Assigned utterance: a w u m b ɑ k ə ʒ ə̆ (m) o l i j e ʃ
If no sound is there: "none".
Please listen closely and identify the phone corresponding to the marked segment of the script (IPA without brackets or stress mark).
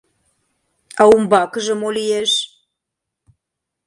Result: m